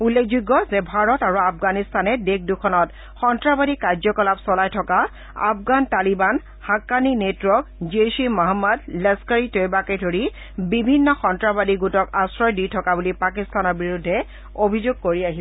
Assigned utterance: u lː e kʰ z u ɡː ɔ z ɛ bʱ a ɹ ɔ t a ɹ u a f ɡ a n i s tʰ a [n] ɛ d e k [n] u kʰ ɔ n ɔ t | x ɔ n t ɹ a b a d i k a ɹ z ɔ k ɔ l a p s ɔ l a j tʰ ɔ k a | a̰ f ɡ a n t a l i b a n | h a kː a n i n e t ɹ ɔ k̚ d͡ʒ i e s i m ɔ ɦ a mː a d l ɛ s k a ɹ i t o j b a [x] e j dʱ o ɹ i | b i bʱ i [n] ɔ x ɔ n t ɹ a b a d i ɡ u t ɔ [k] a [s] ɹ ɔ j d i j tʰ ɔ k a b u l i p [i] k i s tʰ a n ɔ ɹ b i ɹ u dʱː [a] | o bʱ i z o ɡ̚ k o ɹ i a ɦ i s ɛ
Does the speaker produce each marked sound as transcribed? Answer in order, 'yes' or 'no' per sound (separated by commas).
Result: yes, no, no, no, yes, yes, no, no